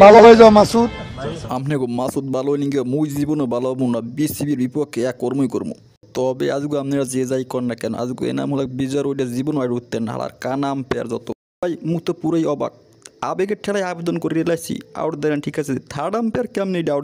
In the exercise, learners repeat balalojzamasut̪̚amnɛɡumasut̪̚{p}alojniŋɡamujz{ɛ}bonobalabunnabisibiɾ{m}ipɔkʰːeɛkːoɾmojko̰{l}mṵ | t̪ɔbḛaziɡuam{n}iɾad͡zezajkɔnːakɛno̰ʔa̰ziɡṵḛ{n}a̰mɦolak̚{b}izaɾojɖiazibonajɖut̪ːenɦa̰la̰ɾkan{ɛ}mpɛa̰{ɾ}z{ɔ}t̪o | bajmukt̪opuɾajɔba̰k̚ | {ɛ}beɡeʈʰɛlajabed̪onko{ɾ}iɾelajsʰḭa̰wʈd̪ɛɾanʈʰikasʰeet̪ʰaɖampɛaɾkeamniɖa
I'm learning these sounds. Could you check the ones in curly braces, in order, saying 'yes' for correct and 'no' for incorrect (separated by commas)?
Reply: no, no, no, no, yes, yes, yes, no, yes, yes, no, yes